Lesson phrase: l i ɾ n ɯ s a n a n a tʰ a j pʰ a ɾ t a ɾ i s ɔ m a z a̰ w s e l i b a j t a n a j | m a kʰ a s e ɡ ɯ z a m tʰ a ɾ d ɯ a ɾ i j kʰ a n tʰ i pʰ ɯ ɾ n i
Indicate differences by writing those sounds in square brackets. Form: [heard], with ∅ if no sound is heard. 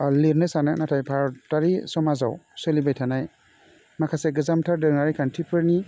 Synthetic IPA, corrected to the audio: l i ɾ n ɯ s a n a n a tʰ a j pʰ a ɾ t a ɾ i s ɔ m a z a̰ w s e l i b a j [tʰ] a n a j | m a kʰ a s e ɡ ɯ z a m tʰ a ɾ d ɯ a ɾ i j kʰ a n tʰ i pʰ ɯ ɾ n i

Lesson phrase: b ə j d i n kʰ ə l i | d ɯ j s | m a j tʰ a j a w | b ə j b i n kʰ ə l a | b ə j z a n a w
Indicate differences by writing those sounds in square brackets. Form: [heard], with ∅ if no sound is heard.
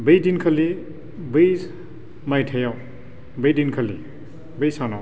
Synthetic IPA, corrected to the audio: b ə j d i n kʰ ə l i | [b] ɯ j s | m a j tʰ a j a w | b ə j [d] i n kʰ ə l [i] | b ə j [s] a n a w

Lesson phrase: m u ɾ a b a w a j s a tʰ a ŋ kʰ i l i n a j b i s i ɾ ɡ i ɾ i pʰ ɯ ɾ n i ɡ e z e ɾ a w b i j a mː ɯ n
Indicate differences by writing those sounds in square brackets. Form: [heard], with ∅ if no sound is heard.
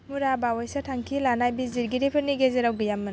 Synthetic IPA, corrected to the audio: m u ɾ a b a w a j s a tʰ a ŋ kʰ i l [a] n a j b i [z] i ɾ ɡ i ɾ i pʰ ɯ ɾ n i ɡ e z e ɾ a w [ɡ] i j a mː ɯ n

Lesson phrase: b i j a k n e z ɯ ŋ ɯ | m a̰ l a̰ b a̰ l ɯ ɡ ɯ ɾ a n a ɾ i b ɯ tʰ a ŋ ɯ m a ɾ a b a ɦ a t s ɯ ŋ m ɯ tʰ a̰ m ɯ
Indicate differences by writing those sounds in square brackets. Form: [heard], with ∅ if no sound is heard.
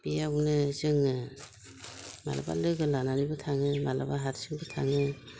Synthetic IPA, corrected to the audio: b i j a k n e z ɯ ŋ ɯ | m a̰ l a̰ b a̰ l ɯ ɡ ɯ [l] a n a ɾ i b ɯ tʰ a ŋ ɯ m a [l] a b a ɦ a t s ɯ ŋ [b] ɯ tʰ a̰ [ŋ] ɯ

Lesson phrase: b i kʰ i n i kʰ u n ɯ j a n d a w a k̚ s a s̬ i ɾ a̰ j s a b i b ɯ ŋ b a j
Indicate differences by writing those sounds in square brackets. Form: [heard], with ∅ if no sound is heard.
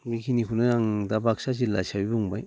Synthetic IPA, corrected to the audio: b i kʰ i n i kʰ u n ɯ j a [ŋ] d a [b] a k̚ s a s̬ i [l] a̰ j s a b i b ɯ ŋ b a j

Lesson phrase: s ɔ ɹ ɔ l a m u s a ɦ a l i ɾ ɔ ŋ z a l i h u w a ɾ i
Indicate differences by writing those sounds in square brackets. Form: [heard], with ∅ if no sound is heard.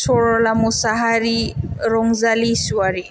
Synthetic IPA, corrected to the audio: s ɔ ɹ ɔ l a m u s a ɦ a [ɾ] i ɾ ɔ ŋ z a l i [s] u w a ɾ i

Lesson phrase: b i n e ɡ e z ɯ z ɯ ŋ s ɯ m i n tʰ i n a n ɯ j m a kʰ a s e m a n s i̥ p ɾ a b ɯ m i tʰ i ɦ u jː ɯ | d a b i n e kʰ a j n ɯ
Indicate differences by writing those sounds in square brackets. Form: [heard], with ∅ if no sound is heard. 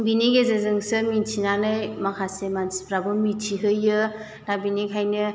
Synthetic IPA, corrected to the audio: b i n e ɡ e z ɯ z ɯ ŋ s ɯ m i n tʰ i n a n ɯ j m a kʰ a s e m a n s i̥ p ɾ a b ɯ m i tʰ i ɦ [ɯ] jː ɯ | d a b i n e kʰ a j n ɯ

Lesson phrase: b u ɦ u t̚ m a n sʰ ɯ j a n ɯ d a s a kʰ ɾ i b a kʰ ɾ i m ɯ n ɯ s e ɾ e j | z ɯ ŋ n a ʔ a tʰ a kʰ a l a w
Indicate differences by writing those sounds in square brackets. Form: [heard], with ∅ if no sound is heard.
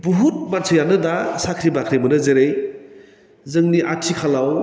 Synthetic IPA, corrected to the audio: b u ɦ u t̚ m a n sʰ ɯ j a n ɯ d a s a kʰ ɾ i b a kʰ ɾ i m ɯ n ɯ [z] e ɾ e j | z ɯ ŋ n [i] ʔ a tʰ [i] kʰ a l a w

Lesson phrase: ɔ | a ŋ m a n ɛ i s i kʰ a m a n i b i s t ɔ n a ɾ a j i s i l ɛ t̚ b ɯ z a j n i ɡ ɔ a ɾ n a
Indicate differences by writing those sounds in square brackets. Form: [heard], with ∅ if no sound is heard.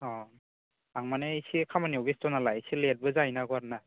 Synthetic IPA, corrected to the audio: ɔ | a ŋ m a n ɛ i s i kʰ a m a n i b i s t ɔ n a [l] a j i s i l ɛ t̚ b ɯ z a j n [a] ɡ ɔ a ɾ n a

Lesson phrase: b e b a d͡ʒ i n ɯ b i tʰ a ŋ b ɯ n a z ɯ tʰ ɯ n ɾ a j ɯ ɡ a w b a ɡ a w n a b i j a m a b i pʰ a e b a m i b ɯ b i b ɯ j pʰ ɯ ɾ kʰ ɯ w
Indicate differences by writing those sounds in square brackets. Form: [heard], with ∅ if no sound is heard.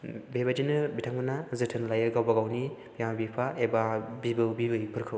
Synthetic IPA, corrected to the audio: b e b a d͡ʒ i n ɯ b i tʰ a ŋ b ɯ n a z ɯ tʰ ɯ n [l] a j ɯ ɡ a w b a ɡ a w n [i] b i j a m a b i pʰ a e b a [b] i b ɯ b i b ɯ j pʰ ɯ ɾ kʰ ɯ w

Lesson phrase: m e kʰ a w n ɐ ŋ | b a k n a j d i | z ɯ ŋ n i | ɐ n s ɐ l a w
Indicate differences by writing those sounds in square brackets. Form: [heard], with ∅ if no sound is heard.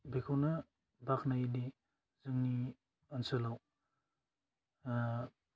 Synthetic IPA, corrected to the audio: [b] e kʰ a w n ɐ [∅] | b a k n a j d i | z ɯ ŋ n i | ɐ n s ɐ l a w

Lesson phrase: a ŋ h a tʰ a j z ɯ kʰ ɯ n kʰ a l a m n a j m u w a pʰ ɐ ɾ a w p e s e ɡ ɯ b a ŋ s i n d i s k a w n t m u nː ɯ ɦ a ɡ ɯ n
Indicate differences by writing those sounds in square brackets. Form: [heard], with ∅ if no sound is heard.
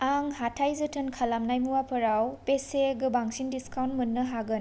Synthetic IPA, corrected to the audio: a ŋ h a tʰ a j z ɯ [tʰ] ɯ n kʰ a l a m n a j m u w a pʰ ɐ ɾ a w p e s e ɡ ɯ b a ŋ s i n d i s k a w n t m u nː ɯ ɦ a ɡ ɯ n

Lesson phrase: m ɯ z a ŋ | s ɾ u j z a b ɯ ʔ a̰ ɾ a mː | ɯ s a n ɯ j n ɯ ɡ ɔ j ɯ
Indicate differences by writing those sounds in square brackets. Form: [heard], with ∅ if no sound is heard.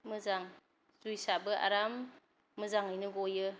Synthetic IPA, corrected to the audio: m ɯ z a ŋ | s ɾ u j [s] a b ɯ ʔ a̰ ɾ a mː | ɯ [z] a [ŋ] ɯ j n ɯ ɡ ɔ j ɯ

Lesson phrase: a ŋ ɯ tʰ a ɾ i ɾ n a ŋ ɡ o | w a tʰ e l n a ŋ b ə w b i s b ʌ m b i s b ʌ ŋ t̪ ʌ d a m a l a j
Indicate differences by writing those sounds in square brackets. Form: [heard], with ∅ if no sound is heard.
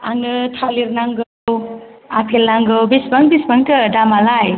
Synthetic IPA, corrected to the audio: a ŋ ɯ tʰ a [l] i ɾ n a ŋ ɡ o | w a [pʰ] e l n a ŋ [ɡ] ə w b i s b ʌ [ŋ] b i s b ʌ ŋ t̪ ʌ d a m a l a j

